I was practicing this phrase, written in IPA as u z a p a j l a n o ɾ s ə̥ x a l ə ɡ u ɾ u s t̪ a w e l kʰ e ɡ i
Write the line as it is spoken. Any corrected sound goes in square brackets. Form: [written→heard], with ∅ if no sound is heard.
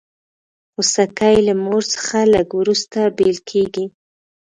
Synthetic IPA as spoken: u [z→s] a [p→k] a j l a [n→m] o ɾ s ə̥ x a l ə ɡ [u→w] ɾ u s t̪ a [w→b] e l kʰ e ɡ i